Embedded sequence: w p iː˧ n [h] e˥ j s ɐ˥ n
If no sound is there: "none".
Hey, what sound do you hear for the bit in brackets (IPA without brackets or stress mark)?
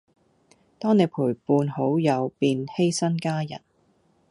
h